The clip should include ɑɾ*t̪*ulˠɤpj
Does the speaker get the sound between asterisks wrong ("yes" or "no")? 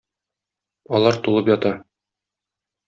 no